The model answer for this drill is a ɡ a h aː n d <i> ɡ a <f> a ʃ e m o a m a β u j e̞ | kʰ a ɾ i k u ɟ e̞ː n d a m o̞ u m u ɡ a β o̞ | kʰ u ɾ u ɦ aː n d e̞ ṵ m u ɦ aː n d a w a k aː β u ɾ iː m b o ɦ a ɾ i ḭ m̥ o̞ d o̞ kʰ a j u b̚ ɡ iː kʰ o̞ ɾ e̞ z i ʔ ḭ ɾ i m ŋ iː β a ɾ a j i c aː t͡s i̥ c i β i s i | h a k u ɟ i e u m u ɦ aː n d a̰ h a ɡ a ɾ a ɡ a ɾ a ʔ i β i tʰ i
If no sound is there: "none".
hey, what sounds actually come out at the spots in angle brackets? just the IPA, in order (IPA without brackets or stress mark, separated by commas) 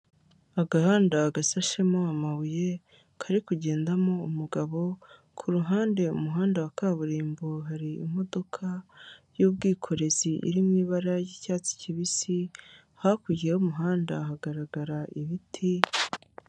a, s